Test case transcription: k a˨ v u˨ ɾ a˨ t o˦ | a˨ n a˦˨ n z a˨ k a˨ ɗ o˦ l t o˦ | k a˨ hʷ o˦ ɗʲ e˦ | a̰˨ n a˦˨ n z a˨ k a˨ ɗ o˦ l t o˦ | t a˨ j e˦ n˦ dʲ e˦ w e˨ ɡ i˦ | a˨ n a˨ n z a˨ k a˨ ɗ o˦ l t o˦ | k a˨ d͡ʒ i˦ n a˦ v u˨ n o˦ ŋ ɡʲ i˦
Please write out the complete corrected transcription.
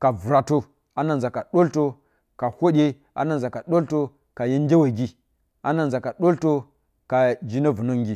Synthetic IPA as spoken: k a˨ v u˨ ɾ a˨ t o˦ | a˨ n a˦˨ n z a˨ k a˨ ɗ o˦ l t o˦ | k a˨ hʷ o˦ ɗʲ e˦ | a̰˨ n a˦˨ n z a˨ k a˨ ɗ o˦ l t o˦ | k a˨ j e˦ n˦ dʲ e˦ w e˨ ɡ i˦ | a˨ n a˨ n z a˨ k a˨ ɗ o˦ l t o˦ | k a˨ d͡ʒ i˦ n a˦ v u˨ n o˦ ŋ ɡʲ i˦